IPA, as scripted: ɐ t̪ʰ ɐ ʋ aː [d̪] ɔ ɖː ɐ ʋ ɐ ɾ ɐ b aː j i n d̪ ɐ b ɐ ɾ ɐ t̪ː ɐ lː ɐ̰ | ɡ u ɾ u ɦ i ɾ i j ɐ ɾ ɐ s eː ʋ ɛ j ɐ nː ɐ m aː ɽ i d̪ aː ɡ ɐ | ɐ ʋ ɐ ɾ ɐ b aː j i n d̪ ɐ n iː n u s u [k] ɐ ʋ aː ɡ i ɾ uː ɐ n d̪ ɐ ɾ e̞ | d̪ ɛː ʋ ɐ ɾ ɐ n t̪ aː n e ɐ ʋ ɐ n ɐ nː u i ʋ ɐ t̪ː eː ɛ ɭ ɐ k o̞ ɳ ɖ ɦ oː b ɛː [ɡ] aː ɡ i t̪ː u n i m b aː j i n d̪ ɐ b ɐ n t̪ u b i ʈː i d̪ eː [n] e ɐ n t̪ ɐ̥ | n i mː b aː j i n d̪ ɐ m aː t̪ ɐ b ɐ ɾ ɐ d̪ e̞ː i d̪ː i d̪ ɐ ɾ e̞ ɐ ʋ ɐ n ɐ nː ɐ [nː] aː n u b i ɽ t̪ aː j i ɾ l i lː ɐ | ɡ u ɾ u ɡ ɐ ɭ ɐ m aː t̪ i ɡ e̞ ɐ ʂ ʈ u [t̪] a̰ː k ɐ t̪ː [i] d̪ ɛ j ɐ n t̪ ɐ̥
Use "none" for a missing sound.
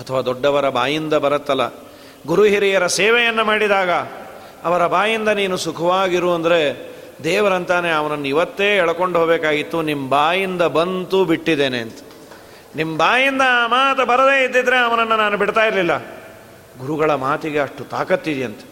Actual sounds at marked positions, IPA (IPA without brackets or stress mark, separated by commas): d̪, kʰ, k, n, n, t̪, i